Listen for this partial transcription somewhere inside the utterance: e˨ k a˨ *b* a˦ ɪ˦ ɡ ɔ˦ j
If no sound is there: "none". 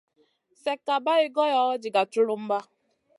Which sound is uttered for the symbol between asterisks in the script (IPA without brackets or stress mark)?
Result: b